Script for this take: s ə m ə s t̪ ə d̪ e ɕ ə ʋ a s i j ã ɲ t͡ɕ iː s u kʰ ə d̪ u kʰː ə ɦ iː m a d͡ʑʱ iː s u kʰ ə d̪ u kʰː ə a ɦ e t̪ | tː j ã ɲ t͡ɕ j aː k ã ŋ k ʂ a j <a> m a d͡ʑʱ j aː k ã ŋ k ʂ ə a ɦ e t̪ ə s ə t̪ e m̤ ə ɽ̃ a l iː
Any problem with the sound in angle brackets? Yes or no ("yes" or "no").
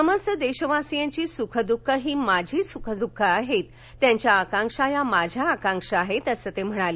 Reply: no